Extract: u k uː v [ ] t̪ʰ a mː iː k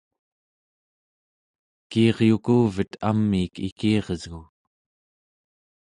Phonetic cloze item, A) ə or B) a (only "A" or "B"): A